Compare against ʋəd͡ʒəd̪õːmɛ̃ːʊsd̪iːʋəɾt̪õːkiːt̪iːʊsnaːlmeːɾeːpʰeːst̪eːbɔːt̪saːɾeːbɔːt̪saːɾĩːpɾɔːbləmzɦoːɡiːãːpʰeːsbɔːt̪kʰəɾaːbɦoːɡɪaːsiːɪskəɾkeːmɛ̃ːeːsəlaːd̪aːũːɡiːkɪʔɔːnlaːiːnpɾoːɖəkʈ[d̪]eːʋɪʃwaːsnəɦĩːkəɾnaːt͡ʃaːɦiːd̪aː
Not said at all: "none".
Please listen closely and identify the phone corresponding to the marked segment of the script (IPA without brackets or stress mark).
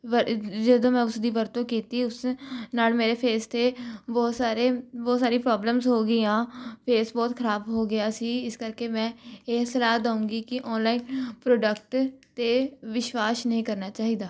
t̪